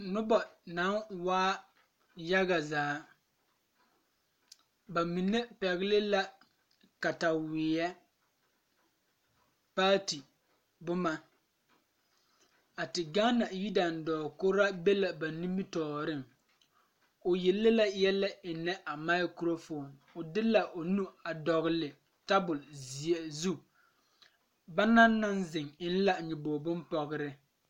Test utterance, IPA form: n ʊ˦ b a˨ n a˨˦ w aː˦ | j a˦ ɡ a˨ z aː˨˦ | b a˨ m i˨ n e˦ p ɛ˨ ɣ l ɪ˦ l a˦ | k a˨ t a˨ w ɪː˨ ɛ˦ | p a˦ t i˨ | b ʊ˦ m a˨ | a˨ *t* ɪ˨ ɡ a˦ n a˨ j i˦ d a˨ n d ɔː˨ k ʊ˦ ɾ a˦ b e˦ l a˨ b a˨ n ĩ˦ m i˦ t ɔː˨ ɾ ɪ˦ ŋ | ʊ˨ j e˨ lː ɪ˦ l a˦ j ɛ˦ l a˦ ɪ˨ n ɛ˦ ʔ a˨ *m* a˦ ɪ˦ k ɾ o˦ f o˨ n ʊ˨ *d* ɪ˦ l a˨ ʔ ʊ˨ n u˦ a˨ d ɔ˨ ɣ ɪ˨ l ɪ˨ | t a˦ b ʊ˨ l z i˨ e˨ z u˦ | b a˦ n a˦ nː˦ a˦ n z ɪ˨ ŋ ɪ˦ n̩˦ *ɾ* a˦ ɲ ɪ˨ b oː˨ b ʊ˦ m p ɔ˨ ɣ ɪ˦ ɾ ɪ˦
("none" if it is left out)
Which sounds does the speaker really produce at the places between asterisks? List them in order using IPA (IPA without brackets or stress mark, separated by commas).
t, m, d, l